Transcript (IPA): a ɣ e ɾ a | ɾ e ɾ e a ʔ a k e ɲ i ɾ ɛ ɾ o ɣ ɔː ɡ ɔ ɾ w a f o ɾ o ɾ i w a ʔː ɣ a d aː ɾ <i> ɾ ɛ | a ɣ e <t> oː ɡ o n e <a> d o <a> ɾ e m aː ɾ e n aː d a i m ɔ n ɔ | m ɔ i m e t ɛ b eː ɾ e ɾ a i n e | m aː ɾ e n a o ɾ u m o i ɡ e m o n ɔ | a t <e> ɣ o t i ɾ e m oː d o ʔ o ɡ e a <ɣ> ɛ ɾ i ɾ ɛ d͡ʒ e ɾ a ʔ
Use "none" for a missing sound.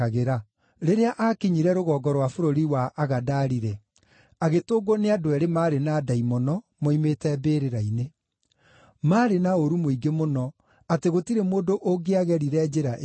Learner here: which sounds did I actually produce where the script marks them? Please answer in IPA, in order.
i, t, a, ɛ, e, ɣ

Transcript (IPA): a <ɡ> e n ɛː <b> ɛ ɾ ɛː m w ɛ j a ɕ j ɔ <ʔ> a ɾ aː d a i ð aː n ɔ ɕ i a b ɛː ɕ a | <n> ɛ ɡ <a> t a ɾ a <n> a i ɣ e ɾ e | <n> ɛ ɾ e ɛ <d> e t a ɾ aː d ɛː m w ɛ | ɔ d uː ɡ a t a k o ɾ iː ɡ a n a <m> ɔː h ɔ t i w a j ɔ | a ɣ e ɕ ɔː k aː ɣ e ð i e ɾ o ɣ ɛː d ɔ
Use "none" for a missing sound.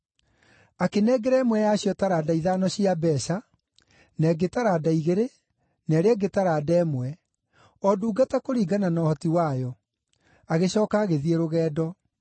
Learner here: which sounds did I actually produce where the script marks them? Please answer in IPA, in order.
k, ɡ, t, n, e, d, n, ɡ, n

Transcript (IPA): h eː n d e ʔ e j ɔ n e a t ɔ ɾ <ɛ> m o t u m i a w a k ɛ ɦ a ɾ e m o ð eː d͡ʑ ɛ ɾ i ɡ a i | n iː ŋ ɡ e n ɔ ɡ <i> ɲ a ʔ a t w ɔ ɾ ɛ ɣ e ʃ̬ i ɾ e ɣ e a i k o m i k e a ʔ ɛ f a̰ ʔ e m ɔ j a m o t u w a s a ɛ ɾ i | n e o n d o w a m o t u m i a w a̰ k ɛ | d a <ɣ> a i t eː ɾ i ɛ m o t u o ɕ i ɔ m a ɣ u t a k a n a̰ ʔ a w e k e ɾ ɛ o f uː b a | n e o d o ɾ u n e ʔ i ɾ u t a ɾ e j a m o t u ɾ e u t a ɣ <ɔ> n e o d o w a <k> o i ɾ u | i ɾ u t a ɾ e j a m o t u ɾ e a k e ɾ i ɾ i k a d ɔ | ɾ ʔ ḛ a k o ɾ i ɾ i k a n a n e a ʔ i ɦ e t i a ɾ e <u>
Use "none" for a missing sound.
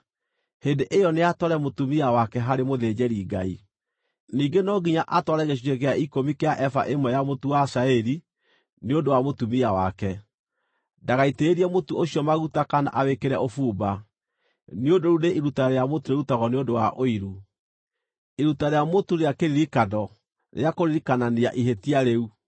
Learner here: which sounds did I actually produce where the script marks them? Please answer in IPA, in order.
ɛ, i, ɣ, ɔ, ʔ, u

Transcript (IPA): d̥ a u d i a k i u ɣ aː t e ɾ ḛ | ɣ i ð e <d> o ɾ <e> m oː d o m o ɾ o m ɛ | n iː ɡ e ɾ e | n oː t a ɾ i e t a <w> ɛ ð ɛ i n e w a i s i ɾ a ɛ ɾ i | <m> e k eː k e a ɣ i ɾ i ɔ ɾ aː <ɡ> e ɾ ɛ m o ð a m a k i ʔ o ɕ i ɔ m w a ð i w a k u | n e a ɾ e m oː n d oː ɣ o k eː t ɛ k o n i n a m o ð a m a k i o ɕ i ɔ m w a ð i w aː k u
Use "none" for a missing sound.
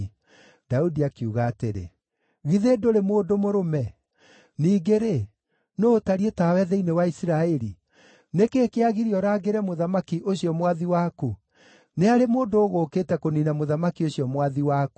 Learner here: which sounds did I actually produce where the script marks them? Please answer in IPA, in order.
d, e, w, n, ɡ

